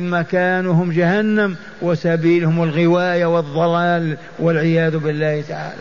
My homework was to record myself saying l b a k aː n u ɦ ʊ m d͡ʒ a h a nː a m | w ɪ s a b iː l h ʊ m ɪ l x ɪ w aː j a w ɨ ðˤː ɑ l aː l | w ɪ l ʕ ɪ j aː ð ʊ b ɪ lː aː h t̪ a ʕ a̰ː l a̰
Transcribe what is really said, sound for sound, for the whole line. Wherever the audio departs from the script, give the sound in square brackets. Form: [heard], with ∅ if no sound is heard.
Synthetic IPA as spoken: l [m] a k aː n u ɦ ʊ m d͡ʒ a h a nː a m | w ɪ s a b iː l h ʊ m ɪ l [ɣ] ɪ w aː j a w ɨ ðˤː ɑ l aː l | w ɪ l ʕ ɪ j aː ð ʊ b ɪ lː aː h t̪ a ʕ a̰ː l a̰